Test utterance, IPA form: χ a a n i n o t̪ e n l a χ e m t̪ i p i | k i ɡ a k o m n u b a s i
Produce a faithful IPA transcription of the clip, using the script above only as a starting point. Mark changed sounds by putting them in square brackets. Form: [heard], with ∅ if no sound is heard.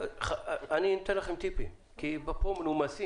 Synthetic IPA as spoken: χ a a n i n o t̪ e n l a χ e m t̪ i p i | k i [b] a [p] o m n u [m] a s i